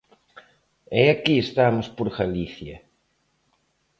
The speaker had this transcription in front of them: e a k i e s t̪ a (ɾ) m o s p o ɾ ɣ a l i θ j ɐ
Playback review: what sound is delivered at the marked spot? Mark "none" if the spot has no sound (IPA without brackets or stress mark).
none